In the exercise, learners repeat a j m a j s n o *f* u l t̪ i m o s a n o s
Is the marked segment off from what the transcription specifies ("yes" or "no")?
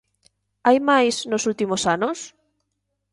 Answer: yes